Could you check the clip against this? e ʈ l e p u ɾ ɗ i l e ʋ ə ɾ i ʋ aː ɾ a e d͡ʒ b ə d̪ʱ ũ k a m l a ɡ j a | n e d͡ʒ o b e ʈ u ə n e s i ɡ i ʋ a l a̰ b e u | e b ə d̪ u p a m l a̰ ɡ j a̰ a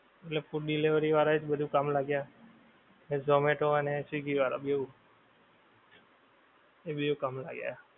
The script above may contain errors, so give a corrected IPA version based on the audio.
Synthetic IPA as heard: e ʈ l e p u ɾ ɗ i l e ʋ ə ɾ i ʋ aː ɾ a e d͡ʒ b ə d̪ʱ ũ k a m l a ɡ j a | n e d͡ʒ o m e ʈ o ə n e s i ɡ i ʋ a ɾ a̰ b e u | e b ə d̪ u k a m l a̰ ɡ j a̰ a